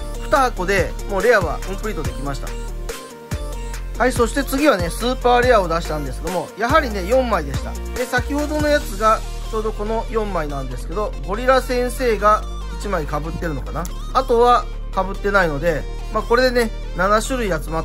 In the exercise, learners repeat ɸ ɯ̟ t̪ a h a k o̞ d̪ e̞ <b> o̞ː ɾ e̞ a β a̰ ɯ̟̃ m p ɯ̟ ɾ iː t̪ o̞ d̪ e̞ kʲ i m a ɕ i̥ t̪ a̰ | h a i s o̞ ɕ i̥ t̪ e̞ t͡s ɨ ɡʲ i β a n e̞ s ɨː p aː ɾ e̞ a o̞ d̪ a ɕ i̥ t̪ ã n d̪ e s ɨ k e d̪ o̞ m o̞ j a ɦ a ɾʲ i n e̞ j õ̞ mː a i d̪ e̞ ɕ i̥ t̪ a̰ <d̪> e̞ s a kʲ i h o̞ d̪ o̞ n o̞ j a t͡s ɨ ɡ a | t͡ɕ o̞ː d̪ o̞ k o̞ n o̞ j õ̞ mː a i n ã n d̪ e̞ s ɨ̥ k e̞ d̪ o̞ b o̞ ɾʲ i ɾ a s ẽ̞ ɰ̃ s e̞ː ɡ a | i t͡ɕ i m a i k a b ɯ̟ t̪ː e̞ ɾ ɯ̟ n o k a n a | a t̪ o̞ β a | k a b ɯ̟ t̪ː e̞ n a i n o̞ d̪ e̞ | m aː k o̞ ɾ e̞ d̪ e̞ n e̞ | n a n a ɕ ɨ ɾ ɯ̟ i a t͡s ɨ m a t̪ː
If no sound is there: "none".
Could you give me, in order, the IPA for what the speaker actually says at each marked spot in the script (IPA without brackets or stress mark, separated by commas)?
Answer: m, d̪